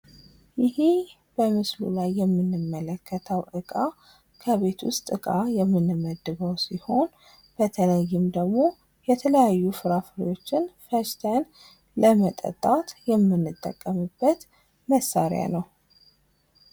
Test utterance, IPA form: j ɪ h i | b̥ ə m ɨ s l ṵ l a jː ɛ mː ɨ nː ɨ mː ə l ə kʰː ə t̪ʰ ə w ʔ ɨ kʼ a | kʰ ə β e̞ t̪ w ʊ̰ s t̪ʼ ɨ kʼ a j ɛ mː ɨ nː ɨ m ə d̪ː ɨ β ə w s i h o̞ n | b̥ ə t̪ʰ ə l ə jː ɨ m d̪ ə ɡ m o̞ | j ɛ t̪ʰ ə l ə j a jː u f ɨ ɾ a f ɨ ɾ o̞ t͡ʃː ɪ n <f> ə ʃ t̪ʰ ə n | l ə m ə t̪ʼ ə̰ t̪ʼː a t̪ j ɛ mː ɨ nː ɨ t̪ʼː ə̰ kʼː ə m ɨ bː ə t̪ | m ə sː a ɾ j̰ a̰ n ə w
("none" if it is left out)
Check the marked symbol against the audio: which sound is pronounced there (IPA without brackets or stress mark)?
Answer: f